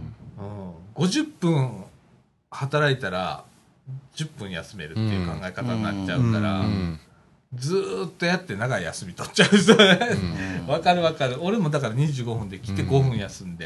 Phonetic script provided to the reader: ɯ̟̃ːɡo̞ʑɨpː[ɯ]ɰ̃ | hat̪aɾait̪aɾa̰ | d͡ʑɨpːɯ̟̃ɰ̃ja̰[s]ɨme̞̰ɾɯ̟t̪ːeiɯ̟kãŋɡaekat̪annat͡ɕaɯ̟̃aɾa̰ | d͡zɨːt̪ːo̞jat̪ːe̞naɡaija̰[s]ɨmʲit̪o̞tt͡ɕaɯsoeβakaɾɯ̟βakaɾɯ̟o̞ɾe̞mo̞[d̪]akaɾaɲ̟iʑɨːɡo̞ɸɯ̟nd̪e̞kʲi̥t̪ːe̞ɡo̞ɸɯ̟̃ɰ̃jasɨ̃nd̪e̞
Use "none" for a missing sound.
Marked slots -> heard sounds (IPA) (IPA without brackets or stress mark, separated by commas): ɯ̃, s, s, d̪